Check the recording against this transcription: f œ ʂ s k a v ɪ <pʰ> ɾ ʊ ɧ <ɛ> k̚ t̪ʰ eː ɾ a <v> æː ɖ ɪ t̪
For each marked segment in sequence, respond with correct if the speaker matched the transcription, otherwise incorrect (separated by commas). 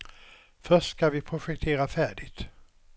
correct, correct, incorrect